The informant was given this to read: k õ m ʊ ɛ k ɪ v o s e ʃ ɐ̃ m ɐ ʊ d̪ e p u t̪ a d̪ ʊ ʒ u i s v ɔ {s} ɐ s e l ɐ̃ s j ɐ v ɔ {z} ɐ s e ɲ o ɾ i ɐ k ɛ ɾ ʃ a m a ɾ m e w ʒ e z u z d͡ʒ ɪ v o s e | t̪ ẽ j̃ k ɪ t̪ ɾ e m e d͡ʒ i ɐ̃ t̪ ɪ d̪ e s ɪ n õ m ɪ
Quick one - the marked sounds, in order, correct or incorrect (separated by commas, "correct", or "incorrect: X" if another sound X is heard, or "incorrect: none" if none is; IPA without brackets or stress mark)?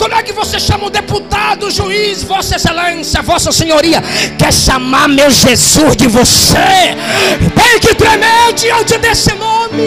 correct, incorrect: s